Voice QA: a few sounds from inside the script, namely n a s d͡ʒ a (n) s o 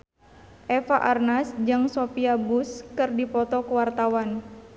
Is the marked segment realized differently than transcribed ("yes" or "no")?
yes